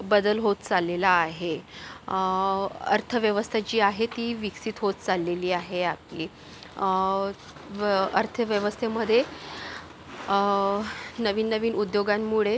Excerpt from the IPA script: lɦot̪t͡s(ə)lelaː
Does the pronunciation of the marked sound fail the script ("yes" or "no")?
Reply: yes